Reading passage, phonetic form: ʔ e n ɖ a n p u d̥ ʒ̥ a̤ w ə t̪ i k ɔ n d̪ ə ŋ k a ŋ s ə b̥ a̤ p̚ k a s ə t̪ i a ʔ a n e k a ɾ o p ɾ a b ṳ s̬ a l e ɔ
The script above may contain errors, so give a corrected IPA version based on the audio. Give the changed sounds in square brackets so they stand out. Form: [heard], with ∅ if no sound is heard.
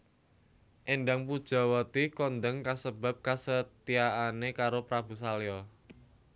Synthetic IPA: ʔ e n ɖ a [ŋ] p u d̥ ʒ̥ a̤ w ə t̪ i k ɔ n d̪ ə ŋ k a [∅] s ə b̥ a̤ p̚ k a s ə t̪ i a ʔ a n e k a ɾ o p ɾ a b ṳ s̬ a l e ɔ